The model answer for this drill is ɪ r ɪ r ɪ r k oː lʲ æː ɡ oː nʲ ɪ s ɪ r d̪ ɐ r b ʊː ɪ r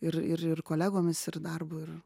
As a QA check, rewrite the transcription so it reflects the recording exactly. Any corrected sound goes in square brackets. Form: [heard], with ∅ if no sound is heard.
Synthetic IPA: ɪ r ɪ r ɪ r k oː lʲ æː ɡ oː [mʲ] ɪ s ɪ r d̪ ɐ r b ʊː ɪ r